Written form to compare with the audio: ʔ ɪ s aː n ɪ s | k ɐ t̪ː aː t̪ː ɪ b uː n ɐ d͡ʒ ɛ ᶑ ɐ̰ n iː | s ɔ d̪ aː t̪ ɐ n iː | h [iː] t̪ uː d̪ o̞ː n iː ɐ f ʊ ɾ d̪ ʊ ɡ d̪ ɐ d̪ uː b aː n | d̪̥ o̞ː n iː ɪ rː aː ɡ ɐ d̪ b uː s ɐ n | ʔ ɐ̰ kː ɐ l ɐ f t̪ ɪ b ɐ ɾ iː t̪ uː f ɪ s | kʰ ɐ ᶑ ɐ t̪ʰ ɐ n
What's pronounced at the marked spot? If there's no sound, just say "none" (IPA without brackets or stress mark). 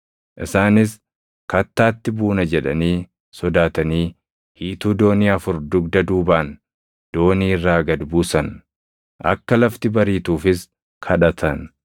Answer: iː